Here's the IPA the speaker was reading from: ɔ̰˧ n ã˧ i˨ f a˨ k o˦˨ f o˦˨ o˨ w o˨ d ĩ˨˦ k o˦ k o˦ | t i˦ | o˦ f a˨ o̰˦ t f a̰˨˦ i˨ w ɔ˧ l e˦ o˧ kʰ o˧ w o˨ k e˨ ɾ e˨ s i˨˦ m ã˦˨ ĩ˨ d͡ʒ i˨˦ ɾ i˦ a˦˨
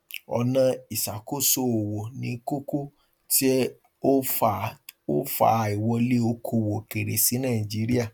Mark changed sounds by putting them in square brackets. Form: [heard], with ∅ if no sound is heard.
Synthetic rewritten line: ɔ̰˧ n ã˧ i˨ [s] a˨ k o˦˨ [s] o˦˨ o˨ w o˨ [n] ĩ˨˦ k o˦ k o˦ | t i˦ | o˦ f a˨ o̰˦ [∅] f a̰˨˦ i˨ w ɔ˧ l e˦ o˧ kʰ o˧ w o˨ k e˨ ɾ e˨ s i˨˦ [n] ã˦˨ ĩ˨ d͡ʒ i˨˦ ɾ i˦ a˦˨